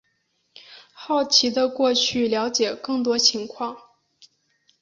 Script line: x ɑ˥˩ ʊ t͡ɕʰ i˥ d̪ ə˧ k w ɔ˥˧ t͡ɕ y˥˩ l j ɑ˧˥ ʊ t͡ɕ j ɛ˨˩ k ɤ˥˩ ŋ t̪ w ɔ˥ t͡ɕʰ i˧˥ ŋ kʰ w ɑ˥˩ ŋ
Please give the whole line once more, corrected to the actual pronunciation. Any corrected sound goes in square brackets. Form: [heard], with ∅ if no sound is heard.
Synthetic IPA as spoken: x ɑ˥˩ ʊ t͡ɕʰ [i˧˥] d̪ ə˧ k w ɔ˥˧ [t͡ɕʰ] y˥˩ l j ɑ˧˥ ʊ t͡ɕ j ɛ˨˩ k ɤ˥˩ ŋ t̪ w ɔ˥ t͡ɕʰ i˧˥ ŋ kʰ w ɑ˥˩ ŋ